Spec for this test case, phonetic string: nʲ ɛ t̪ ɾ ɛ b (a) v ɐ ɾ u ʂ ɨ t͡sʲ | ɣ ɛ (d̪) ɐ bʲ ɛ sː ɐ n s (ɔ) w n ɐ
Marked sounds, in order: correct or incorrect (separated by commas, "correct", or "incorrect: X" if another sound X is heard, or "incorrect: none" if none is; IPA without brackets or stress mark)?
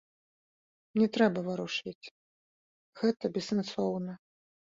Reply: incorrect: ɐ, incorrect: t̪, correct